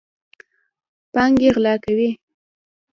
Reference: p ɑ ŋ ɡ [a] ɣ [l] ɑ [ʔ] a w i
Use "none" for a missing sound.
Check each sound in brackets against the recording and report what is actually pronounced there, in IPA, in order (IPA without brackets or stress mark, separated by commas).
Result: e, l, k